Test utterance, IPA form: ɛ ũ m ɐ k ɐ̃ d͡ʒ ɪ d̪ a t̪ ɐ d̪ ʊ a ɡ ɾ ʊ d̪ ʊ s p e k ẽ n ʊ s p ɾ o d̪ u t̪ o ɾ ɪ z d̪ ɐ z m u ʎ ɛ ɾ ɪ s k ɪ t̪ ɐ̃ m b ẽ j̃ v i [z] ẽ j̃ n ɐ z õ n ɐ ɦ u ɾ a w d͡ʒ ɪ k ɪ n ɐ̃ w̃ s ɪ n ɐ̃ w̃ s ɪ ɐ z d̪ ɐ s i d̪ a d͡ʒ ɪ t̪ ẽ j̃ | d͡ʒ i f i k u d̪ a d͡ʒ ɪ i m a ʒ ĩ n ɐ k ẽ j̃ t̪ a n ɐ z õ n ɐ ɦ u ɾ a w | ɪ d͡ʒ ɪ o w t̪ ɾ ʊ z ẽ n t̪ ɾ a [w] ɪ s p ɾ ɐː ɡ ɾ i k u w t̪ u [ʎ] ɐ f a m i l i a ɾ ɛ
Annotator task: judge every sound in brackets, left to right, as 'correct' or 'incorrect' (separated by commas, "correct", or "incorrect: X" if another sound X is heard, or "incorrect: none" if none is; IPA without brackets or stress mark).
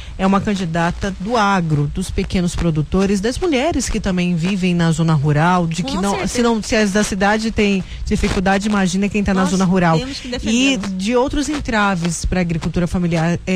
incorrect: v, incorrect: v, incorrect: ɾ